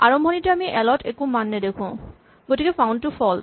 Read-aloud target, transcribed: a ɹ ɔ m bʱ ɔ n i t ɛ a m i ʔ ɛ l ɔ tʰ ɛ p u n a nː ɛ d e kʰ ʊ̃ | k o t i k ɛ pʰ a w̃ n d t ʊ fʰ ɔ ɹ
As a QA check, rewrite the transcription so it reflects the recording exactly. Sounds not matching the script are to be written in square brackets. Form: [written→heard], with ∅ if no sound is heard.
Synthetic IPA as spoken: a ɹ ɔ m bʱ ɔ n i t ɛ a m i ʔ ɛ l ɔ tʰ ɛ [p→k] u [n→m] a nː ɛ d e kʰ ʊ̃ | [k→ɡ] o t i k ɛ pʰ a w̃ n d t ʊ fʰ ɔ [ɹ→l]